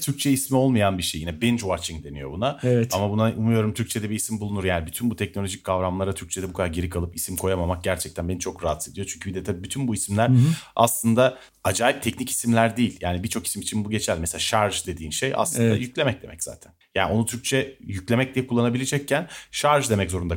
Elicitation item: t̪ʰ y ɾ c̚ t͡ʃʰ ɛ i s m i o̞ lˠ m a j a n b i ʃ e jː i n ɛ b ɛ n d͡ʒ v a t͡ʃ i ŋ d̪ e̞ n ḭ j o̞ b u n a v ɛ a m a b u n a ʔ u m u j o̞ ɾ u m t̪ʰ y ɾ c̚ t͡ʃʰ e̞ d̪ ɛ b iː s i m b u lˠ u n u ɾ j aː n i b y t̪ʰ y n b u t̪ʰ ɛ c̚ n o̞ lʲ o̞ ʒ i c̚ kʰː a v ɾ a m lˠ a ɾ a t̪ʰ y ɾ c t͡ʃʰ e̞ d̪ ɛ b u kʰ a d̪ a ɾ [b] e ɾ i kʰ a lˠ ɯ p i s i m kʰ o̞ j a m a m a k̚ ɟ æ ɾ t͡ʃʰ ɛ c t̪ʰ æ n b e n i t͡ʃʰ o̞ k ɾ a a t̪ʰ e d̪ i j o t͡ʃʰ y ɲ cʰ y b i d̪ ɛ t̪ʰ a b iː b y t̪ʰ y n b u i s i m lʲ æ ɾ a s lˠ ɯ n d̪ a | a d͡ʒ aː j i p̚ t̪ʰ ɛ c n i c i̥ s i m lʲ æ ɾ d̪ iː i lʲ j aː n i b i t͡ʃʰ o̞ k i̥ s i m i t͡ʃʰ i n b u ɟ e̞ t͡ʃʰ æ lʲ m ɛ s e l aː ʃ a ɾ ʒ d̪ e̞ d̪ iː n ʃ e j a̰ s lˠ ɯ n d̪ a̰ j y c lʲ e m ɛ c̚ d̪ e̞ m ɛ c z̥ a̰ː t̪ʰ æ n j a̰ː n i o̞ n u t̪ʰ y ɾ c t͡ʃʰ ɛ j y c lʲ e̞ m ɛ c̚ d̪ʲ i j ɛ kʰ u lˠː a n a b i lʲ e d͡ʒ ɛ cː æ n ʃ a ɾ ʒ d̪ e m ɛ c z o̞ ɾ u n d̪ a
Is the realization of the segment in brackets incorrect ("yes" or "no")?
yes